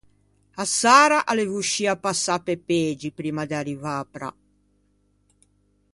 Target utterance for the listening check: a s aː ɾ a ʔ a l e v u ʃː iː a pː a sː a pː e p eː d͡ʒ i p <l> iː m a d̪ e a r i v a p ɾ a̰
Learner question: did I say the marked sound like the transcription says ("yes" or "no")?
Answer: no